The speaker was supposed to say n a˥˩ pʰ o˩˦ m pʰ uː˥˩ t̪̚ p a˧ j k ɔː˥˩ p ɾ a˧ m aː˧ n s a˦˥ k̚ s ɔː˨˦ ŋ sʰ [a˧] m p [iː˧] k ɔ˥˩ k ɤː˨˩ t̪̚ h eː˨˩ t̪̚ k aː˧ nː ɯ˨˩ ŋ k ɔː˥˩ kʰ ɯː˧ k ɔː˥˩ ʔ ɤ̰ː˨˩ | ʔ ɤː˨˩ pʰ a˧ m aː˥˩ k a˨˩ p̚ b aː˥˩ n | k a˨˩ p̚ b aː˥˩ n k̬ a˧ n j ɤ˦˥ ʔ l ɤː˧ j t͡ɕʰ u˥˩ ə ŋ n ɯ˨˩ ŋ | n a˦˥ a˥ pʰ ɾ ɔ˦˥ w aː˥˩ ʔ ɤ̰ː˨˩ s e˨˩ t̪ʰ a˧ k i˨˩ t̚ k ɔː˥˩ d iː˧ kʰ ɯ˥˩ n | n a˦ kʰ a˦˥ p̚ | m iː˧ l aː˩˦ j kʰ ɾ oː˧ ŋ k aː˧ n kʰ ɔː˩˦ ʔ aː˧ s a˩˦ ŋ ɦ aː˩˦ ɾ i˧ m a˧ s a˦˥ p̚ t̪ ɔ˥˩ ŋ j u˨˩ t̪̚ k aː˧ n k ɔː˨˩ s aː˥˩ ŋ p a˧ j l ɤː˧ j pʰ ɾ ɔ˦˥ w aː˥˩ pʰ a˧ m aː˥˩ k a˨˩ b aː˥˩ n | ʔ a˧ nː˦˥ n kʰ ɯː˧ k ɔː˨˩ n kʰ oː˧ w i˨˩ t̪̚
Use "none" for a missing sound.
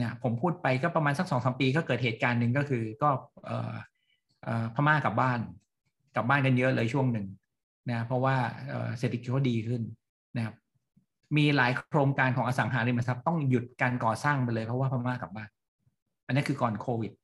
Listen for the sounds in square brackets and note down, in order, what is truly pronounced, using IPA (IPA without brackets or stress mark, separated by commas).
a˩˦, iː˧